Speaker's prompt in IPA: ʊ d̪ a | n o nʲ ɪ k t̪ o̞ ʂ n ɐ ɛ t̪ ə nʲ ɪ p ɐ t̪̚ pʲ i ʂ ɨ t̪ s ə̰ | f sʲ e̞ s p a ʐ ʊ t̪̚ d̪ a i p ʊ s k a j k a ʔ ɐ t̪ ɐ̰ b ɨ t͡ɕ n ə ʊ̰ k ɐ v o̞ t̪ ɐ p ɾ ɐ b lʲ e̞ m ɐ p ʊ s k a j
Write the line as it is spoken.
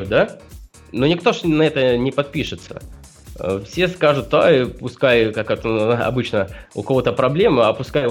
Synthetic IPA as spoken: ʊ d̪ a | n o nʲ ɪ k t̪ o̞ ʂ n ɐ ɛ t̪ ə nʲ ɪ p ɐ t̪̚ pʲ i ʂ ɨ t̪ s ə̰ | f sʲ e̞ s k a ʐ ʊ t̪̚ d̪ a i p ʊ s k a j k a k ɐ t̪ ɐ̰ b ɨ t͡ɕ n ə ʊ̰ k ɐ v o̞ t̪ ə p ɾ ɐ b lʲ e̞ m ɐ p ʊ s k a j